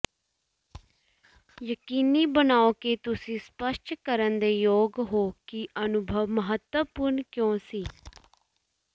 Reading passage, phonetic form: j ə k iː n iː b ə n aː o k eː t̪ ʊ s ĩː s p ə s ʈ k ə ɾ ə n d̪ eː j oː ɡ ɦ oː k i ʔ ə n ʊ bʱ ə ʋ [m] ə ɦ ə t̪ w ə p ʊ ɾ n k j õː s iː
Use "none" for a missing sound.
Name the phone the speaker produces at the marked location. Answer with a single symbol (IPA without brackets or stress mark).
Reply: m